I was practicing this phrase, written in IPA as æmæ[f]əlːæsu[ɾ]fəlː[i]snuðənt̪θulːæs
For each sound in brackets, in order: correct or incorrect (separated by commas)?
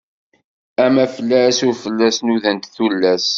correct, correct, incorrect